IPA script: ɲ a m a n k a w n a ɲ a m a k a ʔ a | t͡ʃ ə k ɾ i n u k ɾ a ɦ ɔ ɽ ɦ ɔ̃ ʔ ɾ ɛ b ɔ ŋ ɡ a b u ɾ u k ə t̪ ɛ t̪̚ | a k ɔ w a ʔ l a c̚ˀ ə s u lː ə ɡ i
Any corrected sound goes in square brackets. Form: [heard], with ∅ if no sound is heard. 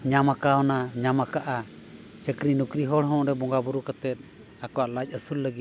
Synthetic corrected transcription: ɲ a m a [∅] k a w n a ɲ a m a k a ʔ a | t͡ʃ ə k ɾ i n u k ɾ [i] ɦ ɔ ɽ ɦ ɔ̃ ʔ ɾ ɛ b ɔ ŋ ɡ a b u ɾ u k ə t̪ ɛ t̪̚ | a k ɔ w a ʔ l a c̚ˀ ə s u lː ə ɡ i